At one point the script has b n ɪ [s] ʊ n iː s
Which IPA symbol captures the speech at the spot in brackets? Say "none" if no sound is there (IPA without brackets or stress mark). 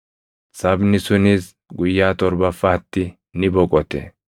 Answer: s